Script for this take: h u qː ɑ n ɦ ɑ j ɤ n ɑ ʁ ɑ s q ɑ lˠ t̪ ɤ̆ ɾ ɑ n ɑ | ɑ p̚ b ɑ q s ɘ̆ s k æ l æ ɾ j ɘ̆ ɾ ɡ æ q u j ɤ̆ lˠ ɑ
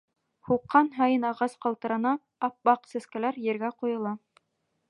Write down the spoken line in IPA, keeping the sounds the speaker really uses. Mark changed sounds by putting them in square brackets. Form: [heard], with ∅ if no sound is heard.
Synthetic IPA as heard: h u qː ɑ n ɦ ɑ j ɤ n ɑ ʁ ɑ s q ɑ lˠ t̪ ɤ̆ ɾ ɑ n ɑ | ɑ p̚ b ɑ q s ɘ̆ s k æ l æ ɾ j ɘ̆ ɾ ɡ æ q u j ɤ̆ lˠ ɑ